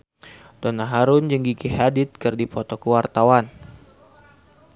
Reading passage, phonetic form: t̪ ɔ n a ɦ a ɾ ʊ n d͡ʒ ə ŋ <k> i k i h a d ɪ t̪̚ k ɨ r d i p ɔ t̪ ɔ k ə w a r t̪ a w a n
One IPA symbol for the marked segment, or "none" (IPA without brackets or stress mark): ɡ